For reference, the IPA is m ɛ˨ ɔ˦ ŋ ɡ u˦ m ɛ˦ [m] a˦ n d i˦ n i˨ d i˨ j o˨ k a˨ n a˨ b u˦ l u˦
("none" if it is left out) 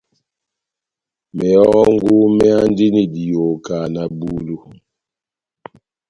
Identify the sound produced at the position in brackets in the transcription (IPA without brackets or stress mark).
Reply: none